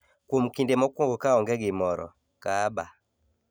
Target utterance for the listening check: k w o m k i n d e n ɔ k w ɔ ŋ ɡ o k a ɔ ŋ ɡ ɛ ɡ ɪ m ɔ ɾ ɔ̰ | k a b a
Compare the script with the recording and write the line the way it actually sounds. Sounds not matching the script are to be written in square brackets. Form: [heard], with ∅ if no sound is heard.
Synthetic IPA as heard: k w o m k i n d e [m] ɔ k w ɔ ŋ ɡ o k a ɔ ŋ ɡ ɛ ɡ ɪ m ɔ ɾ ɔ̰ | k a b a